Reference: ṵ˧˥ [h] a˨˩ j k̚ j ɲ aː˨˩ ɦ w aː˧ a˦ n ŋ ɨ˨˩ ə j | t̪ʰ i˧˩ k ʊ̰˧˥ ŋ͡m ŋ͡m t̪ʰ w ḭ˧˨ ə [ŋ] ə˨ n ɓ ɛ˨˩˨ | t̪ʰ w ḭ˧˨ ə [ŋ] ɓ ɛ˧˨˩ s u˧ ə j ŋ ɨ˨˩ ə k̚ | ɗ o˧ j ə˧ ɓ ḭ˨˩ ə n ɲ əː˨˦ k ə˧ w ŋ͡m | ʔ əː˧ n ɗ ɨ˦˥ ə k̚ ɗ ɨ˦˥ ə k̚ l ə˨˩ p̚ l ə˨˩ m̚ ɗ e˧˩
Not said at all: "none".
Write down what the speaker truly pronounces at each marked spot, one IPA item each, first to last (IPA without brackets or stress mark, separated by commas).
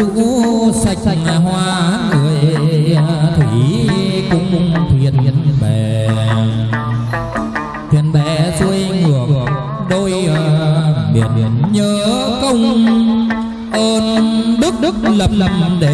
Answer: s, n, n